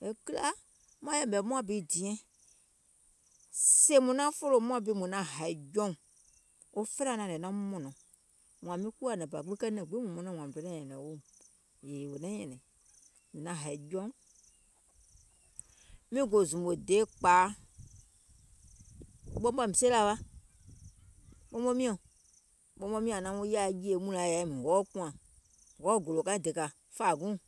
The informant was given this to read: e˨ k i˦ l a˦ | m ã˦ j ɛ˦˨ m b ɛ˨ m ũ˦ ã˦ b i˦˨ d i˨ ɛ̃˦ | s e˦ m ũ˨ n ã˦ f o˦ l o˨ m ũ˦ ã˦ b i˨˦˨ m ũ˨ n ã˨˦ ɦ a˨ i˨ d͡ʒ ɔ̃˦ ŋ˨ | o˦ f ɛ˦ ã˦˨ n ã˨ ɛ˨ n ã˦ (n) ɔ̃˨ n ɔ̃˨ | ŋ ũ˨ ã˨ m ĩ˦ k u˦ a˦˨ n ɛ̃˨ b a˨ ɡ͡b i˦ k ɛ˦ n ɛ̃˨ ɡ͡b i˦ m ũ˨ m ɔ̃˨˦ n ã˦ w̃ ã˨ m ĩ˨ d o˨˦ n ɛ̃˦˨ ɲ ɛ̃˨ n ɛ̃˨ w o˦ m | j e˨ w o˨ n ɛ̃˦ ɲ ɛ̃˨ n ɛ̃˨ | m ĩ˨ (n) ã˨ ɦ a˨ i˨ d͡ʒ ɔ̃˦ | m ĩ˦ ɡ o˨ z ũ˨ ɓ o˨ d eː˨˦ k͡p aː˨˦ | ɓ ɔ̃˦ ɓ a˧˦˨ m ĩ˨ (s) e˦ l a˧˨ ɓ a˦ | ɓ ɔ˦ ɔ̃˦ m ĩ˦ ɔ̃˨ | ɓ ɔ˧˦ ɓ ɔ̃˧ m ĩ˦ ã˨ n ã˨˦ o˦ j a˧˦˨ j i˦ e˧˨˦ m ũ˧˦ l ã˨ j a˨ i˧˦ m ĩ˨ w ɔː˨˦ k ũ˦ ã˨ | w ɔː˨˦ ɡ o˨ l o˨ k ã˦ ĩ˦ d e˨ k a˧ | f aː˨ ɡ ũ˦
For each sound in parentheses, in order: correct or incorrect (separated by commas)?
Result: incorrect, correct, correct